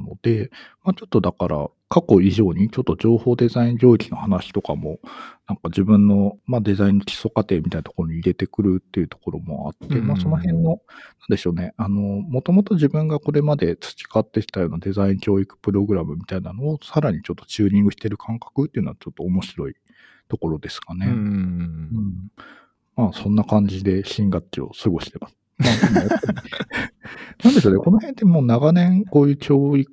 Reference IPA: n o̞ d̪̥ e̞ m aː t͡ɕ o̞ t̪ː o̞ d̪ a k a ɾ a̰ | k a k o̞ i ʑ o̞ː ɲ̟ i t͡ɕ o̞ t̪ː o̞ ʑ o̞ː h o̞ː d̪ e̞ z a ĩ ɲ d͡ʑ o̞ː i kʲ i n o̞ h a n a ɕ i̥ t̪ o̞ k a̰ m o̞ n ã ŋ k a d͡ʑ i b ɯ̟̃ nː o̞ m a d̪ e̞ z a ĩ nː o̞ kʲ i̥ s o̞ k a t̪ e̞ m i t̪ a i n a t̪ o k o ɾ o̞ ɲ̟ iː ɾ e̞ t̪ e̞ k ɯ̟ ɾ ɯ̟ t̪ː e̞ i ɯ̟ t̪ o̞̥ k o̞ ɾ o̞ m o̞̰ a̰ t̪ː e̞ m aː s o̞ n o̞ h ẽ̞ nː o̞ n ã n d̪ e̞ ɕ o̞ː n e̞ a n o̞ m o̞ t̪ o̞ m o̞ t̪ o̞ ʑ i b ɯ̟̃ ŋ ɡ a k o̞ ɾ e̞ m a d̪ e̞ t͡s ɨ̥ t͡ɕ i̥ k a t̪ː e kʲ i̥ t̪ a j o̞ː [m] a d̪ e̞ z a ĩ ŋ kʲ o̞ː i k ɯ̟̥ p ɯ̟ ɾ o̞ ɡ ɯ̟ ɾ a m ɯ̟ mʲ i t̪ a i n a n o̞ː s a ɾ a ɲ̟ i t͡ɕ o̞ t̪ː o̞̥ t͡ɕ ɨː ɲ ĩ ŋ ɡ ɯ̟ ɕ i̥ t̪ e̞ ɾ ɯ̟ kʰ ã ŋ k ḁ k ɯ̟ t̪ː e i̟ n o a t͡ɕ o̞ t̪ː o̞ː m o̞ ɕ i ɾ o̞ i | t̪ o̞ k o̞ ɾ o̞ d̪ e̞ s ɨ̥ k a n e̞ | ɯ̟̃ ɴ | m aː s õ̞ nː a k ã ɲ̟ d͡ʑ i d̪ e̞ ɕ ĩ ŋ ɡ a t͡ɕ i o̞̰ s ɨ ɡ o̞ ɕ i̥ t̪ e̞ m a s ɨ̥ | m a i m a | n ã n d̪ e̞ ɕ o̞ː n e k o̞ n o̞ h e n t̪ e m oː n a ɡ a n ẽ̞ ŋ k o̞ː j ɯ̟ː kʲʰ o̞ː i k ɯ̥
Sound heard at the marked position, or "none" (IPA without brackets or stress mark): n